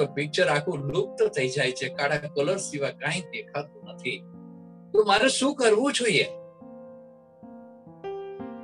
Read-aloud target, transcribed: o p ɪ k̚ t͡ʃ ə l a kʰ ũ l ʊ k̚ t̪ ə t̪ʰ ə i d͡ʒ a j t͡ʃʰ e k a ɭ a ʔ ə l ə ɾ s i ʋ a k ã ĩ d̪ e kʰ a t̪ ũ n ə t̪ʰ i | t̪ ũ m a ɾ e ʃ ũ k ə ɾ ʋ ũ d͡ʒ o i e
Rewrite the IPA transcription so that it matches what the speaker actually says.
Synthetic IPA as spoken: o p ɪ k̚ t͡ʃ ə ɾ a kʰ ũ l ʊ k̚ t̪ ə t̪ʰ ə i d͡ʒ a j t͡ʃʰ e k a ɽ a k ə l ə ɾ s i ʋ a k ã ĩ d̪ e kʰ a t̪ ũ n ə t̪ʰ i | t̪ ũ m a ɾ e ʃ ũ k ə ɾ ʋ ũ d͡ʒ o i e